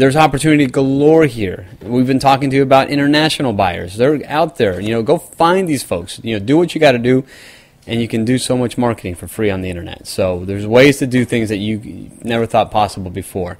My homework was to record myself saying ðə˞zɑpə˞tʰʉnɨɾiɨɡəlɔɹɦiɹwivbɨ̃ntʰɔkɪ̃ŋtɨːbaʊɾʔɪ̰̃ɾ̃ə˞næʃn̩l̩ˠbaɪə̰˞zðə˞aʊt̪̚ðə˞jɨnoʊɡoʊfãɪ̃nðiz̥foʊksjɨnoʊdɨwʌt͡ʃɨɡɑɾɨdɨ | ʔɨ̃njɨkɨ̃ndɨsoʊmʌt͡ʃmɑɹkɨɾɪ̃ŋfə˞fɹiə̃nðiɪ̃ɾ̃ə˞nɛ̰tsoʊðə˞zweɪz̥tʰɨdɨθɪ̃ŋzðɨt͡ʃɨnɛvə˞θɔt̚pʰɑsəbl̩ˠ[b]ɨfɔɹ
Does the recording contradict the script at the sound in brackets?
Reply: no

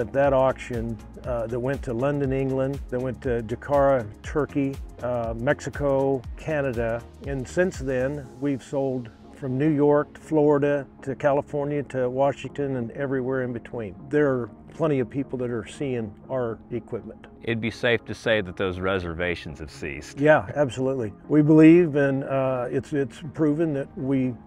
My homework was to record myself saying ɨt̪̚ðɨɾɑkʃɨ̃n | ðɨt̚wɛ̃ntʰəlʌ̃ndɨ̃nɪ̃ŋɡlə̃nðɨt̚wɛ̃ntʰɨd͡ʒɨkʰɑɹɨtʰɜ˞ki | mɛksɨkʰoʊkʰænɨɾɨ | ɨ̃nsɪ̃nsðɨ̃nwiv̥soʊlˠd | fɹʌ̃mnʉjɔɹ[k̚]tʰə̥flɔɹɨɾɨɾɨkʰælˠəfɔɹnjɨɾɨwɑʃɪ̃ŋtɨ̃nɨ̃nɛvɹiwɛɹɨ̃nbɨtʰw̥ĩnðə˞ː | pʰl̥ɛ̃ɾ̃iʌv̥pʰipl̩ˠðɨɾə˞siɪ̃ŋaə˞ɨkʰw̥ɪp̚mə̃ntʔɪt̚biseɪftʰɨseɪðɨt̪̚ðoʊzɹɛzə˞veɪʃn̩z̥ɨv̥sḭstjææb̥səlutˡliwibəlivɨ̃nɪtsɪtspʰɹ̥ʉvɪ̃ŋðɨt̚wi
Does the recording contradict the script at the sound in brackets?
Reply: no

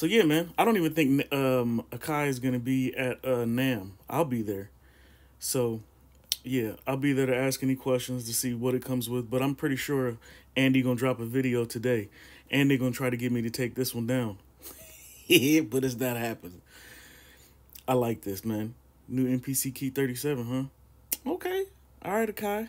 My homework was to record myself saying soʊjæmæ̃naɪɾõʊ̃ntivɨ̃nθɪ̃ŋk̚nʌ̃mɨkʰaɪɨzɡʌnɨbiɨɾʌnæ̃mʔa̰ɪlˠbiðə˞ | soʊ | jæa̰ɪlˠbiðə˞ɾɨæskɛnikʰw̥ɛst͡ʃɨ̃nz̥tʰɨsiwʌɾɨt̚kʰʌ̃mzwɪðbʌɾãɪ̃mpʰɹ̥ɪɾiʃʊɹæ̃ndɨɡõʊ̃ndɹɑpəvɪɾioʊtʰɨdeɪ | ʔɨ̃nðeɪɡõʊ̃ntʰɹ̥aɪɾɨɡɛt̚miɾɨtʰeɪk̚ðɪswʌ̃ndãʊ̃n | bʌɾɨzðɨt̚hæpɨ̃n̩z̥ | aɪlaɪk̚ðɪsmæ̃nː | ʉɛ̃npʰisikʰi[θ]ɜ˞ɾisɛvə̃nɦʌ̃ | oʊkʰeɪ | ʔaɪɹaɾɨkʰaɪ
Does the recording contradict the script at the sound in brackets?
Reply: no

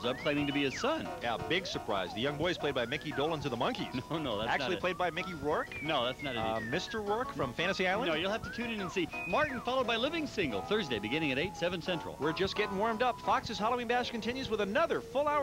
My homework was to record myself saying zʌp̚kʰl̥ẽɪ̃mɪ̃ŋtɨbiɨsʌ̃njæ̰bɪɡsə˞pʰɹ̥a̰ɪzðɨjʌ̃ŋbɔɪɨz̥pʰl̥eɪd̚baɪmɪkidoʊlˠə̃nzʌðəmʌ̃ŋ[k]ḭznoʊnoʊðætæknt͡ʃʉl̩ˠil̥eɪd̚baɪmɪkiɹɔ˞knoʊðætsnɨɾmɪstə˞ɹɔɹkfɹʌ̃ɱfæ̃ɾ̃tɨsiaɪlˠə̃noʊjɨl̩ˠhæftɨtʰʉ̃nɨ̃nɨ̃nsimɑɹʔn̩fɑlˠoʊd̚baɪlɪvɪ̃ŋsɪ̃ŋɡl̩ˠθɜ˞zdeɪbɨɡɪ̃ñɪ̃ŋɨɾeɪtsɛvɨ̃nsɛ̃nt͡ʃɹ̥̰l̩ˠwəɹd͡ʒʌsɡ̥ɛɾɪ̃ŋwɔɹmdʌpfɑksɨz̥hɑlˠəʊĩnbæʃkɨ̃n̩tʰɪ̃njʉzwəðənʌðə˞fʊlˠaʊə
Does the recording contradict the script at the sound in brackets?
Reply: no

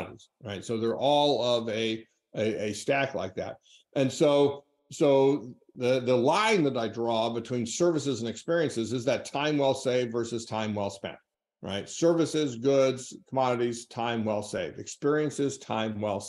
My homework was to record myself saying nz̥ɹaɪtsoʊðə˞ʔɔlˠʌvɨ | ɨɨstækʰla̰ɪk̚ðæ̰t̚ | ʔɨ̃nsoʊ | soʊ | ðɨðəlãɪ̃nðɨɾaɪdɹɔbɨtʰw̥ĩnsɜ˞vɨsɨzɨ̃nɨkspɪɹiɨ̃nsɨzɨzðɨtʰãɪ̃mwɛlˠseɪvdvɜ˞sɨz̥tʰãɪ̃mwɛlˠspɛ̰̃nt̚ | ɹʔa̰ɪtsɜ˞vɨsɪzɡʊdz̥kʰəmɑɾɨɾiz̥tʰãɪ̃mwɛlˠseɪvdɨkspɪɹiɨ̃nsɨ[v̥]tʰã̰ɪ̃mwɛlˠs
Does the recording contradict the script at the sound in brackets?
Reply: yes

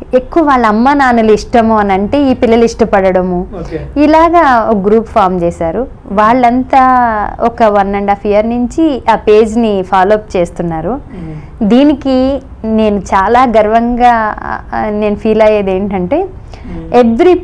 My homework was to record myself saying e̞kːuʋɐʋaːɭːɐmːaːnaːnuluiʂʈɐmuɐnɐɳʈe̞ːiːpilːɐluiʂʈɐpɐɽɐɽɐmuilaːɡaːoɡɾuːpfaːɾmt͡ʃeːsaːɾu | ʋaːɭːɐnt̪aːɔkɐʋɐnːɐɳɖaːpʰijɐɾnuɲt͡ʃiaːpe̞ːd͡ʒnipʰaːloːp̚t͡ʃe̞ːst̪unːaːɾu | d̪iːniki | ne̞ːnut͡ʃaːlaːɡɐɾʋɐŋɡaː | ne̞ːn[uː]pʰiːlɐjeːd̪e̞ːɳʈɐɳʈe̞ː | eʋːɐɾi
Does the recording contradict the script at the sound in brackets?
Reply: yes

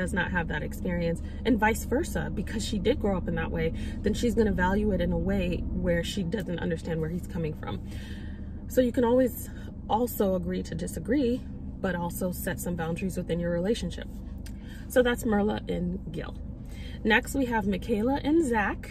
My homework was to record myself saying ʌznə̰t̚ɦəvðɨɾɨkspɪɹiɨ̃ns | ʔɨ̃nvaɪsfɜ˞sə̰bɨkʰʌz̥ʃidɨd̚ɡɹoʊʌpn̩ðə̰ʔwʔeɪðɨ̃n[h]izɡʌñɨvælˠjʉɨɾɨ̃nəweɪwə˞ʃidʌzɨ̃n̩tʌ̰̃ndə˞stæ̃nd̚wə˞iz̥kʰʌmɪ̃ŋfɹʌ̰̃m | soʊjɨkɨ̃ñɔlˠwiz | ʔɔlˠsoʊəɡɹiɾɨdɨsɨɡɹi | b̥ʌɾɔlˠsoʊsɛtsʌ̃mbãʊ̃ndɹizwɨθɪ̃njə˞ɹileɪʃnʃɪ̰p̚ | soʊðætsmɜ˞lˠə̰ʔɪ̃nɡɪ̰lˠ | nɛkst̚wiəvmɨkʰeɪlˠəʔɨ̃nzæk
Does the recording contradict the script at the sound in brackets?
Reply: yes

